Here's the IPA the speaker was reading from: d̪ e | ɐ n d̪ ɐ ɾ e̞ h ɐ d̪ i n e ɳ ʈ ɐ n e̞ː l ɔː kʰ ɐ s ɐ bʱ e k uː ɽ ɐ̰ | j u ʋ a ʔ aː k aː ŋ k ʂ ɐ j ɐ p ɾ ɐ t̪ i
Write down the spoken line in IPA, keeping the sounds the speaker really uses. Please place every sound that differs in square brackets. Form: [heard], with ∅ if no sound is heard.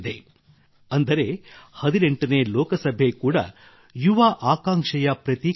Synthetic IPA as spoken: d̪ e | ɐ n d̪ ɐ ɾ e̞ h ɐ d̪ i n e ɳ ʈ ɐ n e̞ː l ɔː [k] ɐ s ɐ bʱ e k uː ɽ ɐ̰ | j u ʋ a ʔ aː k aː ŋ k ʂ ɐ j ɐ p ɾ ɐ t̪ i